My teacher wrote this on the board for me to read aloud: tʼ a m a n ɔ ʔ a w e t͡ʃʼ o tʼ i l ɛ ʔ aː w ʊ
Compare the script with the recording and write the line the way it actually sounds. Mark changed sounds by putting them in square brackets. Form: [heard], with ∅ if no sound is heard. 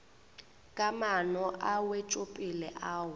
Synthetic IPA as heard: [kʼ] a m a n ɔ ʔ a w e t͡ʃʼ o [pʼ] i l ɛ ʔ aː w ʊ